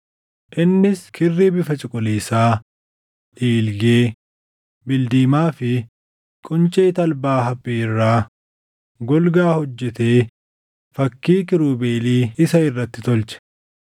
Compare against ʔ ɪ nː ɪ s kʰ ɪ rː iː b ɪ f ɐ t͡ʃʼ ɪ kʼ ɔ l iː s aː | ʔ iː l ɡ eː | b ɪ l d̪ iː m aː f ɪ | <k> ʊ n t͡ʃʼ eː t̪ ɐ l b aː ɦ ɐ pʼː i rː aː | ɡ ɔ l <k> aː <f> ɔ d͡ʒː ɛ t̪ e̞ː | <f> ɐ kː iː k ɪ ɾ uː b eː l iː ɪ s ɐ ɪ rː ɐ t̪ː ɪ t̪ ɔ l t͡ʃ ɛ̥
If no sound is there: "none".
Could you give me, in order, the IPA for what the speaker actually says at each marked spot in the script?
kʼ, ɡ, h, f

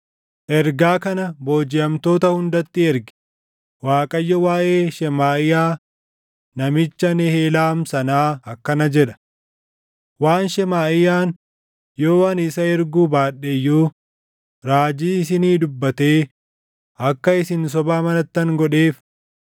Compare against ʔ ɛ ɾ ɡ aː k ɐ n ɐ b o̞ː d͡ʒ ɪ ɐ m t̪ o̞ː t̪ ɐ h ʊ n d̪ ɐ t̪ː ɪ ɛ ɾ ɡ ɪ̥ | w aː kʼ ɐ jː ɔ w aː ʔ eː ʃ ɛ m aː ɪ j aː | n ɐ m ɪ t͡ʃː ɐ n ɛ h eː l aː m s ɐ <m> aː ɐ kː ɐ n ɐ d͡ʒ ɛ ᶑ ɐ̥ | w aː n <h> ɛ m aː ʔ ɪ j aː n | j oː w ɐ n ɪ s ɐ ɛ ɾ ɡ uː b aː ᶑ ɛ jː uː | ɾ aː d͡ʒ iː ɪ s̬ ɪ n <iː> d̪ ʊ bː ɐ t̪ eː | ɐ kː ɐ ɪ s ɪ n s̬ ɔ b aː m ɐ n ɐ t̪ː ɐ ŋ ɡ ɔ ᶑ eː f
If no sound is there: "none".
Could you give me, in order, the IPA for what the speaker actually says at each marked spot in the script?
n, ʃ, iː

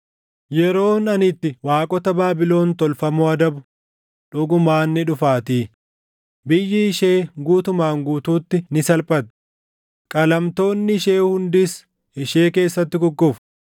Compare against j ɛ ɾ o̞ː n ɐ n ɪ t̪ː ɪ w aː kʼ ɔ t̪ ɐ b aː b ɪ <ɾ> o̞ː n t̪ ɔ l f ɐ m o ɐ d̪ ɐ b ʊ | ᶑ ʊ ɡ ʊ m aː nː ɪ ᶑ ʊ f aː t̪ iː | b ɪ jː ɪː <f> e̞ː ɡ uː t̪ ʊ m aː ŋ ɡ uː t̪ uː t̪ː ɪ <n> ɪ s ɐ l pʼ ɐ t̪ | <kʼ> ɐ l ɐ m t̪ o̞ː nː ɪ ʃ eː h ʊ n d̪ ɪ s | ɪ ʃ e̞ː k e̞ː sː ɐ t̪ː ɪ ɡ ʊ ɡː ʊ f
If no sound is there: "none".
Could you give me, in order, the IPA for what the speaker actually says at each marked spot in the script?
l, ʃ, n, kʼ

